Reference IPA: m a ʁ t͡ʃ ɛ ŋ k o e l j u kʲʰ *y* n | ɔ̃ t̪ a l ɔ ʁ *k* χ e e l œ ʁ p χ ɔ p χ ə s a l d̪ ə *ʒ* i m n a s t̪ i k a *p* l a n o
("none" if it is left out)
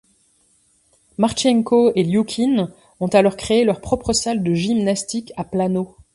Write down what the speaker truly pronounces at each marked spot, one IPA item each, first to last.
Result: i, k, ʒ, p

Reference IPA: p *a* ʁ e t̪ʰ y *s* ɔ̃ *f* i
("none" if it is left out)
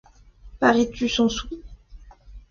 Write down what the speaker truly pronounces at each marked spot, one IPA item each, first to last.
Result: a, s, s

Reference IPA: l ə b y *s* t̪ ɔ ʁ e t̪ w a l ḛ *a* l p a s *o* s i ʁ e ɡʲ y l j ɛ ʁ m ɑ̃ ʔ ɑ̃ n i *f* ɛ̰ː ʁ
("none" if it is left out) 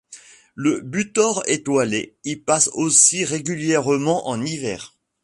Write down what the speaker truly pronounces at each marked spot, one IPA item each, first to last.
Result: none, i, o, v

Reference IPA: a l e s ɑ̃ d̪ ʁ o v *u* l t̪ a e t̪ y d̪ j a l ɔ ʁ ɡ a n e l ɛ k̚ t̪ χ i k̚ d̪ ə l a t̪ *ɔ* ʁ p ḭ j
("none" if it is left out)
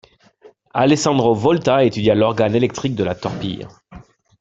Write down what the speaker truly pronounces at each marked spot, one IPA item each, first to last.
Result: ɔ, ɔ

